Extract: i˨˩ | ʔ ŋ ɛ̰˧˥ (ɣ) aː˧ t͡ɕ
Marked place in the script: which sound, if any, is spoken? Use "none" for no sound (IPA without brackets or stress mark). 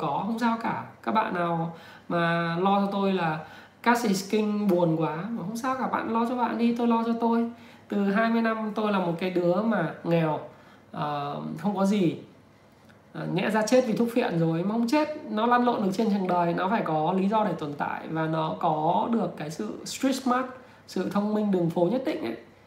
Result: z